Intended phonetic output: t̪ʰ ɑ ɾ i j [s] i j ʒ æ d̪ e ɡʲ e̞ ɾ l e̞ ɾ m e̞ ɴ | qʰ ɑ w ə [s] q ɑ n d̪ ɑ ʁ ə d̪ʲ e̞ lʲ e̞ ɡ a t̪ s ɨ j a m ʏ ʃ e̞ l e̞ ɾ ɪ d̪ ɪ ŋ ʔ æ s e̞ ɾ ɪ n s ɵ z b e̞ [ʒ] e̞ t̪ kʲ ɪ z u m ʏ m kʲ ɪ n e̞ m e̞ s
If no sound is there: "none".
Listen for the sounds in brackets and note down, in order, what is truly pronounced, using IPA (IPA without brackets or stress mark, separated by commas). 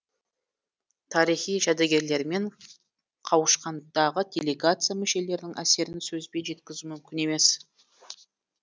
χ, ʃ, ʒ